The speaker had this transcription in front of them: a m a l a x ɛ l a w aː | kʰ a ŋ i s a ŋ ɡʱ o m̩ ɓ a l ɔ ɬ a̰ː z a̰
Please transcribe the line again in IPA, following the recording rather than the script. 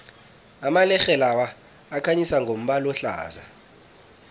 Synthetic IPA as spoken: a m a l ɛ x ɛ l a w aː | kʰ a ɲ i s a ŋ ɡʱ o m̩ ɓ a l ɔ ɬ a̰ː z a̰

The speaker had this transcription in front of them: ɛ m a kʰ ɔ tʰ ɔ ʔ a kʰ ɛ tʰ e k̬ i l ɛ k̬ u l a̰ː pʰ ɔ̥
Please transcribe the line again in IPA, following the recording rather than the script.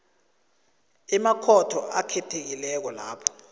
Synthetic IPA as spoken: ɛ m a kʰ ɔ tʰ ɔ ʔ a kʰ ɛ tʰ e k̬ i l ɛ k̬ ɔ l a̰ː pʰ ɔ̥

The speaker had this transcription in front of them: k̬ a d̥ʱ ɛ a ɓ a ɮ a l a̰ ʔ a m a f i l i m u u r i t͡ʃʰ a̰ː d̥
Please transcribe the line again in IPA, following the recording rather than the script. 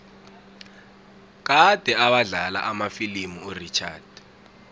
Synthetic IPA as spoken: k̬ a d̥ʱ ɛ a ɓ a ɮ a l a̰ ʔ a m a f i l i m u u r i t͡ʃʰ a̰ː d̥

